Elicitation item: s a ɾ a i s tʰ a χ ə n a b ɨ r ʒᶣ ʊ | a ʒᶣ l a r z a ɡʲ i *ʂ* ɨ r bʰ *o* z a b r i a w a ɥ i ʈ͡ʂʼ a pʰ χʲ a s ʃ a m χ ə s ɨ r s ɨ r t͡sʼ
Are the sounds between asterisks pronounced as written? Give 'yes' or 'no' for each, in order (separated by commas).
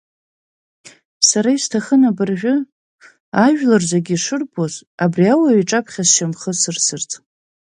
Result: yes, yes